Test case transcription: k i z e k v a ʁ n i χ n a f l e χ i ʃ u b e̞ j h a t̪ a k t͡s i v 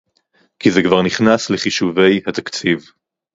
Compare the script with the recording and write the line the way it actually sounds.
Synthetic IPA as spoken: k i z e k v a ʁ n i χ n a s l e χ i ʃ u v e̞ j h a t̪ a k t͡s i v